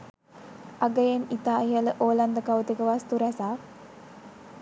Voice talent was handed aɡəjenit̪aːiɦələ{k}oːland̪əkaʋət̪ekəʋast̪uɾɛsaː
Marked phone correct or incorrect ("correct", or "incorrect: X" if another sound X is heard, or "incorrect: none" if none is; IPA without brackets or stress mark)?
incorrect: ʔ